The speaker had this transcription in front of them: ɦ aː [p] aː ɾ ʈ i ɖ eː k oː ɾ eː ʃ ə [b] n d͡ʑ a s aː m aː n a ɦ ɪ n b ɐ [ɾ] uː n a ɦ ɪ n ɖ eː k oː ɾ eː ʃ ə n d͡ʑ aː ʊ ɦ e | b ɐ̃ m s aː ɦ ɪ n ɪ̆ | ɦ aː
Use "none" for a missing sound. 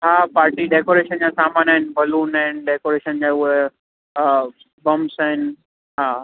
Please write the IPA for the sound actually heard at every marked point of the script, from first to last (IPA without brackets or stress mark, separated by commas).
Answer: p, none, l